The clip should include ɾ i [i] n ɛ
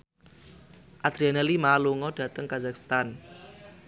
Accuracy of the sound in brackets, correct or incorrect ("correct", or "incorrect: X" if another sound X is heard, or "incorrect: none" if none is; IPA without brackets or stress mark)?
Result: incorrect: a